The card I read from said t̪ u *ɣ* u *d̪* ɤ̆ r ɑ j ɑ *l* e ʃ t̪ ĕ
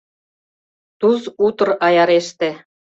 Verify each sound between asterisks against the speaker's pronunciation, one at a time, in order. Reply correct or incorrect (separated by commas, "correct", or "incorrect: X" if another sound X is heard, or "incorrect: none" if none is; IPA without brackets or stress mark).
incorrect: z, incorrect: t̪, incorrect: ɾ